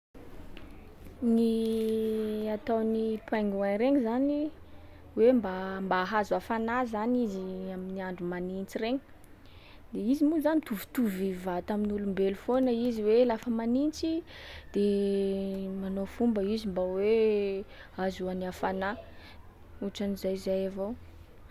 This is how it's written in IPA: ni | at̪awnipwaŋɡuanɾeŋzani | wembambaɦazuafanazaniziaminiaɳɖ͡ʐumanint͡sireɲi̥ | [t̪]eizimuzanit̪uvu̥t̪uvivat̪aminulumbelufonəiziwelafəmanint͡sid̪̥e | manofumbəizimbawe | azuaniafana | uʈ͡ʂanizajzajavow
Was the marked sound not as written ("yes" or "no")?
yes